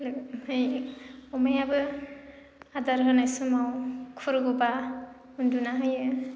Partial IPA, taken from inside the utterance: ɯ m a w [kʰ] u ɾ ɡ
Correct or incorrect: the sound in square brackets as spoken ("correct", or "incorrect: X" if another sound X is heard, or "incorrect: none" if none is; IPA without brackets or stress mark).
correct